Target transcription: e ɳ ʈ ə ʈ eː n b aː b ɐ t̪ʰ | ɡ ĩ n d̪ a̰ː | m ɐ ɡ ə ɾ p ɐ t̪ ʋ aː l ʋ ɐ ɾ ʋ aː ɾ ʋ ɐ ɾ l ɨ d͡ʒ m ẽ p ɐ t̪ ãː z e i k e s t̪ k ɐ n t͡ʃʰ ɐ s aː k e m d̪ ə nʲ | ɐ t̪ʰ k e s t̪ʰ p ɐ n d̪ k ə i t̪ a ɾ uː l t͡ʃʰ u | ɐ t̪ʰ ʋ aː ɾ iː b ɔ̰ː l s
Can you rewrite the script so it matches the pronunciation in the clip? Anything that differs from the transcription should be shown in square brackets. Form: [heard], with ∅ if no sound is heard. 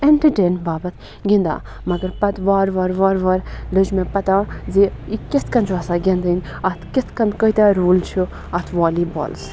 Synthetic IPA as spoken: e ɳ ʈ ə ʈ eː n b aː b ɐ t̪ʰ | ɡ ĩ n d̪ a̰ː | m ɐ ɡ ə ɾ p ɐ t̪ ʋ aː [ɾ] ʋ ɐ ɾ ʋ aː ɾ ʋ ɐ ɾ l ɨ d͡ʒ m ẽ p ɐ t̪ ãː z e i k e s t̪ k ɐ n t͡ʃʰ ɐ s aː [ɡ] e [n] d̪ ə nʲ | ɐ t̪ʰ k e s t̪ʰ [k] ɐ n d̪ k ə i t̪ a ɾ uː l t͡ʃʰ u | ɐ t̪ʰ ʋ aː [l] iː b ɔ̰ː l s